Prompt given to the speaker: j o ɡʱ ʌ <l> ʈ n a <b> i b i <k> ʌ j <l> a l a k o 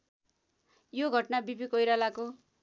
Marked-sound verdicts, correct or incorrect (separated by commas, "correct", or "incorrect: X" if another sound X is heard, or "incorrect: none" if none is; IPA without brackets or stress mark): incorrect: none, correct, correct, incorrect: ɾ